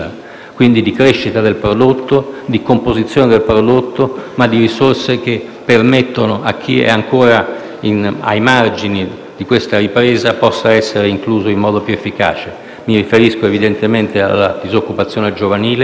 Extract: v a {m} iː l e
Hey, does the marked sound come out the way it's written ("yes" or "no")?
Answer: no